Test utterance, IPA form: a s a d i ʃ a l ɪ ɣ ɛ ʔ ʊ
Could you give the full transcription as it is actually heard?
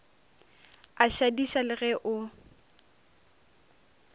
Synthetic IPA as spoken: a ʃ a d i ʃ a l ɪ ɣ ɛ ʔ ʊ